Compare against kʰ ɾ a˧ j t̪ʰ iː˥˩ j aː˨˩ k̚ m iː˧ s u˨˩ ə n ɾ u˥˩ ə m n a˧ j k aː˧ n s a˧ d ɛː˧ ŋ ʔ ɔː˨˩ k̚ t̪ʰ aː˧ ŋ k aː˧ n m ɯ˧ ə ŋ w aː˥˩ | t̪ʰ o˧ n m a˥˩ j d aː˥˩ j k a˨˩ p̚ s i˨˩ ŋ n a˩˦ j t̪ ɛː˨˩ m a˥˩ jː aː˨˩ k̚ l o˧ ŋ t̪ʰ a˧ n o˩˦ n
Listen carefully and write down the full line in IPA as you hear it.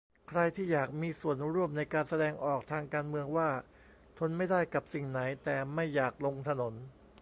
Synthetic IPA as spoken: kʰ ɾ a˧ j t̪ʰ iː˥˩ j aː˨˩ k̚ m iː˧ s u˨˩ ə n ɾ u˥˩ ə m n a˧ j k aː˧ n s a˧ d ɛː˧ ŋ ʔ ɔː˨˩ k̚ t̪ʰ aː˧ ŋ k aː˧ n m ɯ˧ ə ŋ w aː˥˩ | t̪ʰ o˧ n m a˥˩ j d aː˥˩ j k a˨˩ p̚ s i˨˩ ŋ n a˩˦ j t̪ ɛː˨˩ m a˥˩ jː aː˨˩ k̚ l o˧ ŋ t̪ʰ a˧ n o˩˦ n